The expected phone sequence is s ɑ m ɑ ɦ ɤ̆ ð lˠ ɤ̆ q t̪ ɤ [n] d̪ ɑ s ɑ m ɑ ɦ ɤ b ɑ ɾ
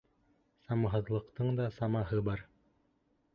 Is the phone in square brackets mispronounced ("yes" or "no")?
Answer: yes